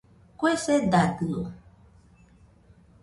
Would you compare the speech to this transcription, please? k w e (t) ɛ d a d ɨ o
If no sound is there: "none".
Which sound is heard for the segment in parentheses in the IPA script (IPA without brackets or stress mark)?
s